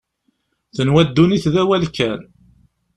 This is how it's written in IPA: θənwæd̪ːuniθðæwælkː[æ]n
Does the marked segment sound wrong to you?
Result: no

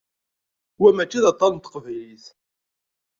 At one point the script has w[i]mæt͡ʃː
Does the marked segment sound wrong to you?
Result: yes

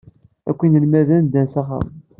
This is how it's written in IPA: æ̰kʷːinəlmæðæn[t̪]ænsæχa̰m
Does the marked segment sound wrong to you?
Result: yes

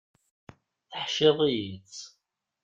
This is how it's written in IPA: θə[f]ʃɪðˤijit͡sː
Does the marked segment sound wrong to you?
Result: yes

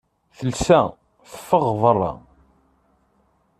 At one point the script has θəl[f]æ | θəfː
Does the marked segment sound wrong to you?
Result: yes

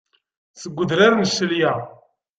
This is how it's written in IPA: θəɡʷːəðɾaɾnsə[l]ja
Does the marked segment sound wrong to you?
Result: no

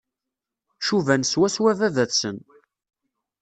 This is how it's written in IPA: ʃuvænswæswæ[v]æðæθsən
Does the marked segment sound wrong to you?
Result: no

